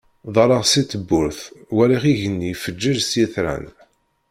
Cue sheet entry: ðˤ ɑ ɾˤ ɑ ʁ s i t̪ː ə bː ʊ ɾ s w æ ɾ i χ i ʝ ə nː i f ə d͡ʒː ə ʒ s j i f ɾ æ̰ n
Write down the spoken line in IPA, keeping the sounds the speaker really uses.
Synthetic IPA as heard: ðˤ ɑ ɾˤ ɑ ʁ s i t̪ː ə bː ʊ ɾ θ w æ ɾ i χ i ʝ ə nː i f ə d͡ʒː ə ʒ s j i θ ɾ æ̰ n